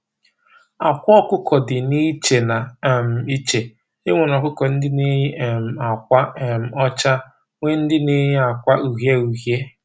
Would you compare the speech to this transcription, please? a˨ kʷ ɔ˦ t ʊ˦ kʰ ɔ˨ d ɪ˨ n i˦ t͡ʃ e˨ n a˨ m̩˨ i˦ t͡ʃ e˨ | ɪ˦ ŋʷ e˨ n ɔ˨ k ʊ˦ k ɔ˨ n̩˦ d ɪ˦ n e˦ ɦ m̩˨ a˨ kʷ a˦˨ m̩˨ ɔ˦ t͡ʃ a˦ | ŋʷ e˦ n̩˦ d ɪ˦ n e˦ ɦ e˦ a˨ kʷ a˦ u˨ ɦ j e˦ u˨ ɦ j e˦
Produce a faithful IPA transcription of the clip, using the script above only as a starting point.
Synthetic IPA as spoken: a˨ kʷ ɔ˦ k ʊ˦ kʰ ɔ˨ d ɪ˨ n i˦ t͡ʃ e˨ n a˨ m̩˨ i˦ t͡ʃ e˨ | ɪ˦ ŋʷ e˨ n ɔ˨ k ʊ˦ k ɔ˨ n̩˦ d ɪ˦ n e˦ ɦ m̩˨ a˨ kʷ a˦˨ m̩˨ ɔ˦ t͡ʃ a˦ | ŋʷ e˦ n̩˦ d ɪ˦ n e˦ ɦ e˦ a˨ kʷ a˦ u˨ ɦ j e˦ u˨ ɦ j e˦